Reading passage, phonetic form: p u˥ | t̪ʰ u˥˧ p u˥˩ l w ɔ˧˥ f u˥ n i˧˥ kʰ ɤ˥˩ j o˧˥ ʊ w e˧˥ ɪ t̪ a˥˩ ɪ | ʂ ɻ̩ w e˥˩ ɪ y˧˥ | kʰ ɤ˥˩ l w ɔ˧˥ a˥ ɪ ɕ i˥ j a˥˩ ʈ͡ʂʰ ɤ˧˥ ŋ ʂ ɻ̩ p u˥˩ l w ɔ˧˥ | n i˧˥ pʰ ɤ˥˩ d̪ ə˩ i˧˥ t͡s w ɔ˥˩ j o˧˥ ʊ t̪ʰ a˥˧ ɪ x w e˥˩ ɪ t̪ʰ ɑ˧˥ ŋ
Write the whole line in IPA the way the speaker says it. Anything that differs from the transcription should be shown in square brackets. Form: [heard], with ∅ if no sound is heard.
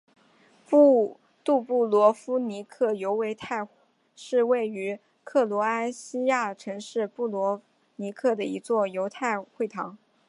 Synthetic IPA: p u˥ | [t̪] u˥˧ p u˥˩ l w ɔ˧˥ f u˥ n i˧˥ kʰ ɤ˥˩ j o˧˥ ʊ w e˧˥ ɪ [t̪ʰ] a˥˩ ɪ | ʂ ɻ̩ w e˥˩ ɪ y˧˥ | kʰ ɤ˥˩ l w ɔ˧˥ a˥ ɪ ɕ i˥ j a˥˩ ʈ͡ʂʰ ɤ˧˥ ŋ ʂ ɻ̩ p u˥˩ l w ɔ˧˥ | n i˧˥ [kʰ] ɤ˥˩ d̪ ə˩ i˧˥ t͡s w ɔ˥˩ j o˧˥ ʊ t̪ʰ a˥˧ ɪ x w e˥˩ ɪ t̪ʰ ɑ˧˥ ŋ